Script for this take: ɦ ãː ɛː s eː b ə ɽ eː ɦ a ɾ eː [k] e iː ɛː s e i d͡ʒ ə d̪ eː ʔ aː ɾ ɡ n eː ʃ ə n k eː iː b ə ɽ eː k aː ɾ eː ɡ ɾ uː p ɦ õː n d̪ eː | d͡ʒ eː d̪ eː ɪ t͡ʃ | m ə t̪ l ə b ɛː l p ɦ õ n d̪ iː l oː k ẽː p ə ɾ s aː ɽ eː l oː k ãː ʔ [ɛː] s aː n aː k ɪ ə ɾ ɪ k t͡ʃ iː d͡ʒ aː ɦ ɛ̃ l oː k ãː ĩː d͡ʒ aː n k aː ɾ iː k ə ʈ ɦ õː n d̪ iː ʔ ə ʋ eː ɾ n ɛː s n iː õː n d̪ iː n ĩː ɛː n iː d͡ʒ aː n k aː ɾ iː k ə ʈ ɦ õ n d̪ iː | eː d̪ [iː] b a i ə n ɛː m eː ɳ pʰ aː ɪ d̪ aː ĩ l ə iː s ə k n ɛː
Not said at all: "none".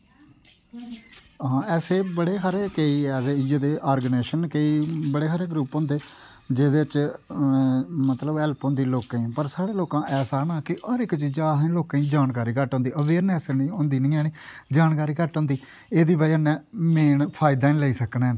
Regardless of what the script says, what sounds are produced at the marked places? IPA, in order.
k, ɛː, iː

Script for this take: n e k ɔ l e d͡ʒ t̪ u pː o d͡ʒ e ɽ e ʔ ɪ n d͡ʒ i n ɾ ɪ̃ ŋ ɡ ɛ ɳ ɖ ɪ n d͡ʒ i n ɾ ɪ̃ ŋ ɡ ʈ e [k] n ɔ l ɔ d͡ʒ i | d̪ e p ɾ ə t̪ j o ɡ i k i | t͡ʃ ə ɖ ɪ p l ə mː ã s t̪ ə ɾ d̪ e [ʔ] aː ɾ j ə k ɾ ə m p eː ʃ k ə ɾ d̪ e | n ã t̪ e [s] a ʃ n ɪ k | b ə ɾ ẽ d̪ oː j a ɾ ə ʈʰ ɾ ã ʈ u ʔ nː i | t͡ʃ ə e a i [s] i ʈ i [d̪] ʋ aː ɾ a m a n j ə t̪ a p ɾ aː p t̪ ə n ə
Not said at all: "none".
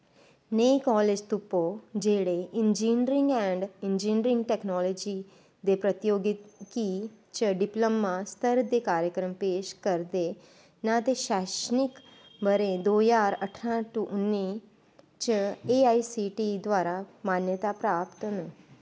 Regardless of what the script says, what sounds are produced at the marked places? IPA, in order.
k, k, ʃ, s, d̪

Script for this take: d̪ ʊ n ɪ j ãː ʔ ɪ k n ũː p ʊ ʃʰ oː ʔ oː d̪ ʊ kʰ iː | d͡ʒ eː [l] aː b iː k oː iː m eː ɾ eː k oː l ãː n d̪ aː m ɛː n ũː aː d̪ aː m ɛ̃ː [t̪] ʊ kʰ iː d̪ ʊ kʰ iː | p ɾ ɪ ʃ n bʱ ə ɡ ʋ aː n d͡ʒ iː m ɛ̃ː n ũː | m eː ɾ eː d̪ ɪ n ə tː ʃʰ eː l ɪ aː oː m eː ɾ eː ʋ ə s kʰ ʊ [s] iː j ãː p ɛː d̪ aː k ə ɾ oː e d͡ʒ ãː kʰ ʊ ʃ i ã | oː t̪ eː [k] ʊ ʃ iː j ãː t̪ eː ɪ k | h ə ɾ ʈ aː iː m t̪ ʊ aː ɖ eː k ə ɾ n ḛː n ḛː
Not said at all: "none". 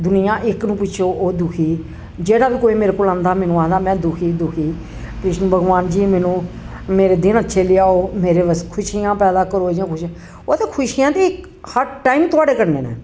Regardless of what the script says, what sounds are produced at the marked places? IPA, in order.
ɽ, d̪, ʃ, kʰ

